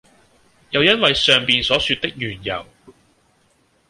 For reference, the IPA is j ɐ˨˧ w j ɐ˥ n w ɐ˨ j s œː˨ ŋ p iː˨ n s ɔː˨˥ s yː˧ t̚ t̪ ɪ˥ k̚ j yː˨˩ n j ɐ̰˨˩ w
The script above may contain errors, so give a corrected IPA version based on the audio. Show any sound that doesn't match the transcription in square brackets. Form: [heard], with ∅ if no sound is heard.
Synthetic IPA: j ɐ˨˧ w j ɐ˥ n w ɐ˨ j s œː˨ ŋ p iː˨ n s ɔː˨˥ s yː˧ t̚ t̪ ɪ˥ k̚ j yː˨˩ n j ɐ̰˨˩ w